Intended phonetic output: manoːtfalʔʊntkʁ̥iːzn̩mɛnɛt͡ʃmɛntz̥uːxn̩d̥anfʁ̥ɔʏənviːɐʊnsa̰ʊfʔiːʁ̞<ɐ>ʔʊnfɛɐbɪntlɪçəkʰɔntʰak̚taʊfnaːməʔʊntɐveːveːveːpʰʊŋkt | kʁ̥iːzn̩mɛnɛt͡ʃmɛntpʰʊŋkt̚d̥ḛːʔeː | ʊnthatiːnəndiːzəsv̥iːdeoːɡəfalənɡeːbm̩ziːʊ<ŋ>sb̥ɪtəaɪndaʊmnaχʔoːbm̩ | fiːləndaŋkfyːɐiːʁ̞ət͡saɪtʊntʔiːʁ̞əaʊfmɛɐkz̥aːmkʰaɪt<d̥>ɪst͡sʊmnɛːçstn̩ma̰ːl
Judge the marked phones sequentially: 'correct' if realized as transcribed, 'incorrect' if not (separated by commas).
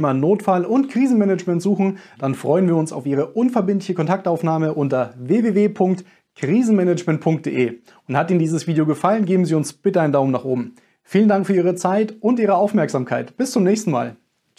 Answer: incorrect, incorrect, incorrect